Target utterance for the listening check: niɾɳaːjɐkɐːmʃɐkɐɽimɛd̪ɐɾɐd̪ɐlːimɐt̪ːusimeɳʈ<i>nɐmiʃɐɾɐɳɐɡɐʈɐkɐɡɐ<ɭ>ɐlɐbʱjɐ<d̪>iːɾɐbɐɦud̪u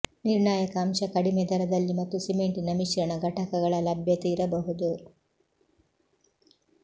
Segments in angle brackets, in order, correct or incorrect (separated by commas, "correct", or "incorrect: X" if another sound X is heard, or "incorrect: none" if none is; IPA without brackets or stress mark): correct, correct, incorrect: t̪